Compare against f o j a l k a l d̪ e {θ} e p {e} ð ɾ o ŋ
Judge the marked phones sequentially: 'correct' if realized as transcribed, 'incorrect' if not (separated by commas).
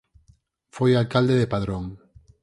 incorrect, incorrect